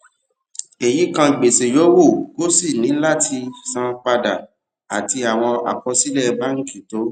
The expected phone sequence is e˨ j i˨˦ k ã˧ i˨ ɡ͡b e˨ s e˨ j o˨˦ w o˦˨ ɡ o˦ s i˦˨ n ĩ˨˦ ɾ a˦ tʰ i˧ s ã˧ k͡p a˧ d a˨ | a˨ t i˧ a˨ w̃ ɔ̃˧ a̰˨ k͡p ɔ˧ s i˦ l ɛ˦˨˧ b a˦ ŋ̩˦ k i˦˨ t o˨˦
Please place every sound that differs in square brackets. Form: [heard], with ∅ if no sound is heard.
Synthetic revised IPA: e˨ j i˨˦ k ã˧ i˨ ɡ͡b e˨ s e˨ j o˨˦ w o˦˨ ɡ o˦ s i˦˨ n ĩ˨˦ [l] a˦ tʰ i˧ s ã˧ k͡p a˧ d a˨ | a˨ t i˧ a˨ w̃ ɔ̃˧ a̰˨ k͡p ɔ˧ s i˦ l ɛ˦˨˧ b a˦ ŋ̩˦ k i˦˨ t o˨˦